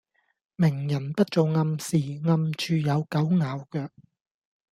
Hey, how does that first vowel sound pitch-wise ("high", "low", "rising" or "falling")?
low